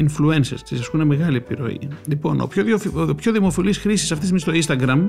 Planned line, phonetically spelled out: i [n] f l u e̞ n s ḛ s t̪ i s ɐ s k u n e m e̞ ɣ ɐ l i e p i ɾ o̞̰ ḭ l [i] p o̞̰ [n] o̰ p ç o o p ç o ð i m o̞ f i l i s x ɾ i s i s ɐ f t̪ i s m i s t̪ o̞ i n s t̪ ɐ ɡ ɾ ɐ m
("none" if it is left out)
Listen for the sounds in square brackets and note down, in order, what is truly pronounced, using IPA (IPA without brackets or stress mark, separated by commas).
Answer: n, i, n